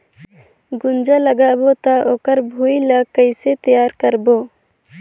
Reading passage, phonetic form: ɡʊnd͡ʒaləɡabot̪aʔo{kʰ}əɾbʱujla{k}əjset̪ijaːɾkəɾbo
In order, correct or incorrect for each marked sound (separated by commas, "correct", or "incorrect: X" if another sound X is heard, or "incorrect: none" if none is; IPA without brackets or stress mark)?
incorrect: k, correct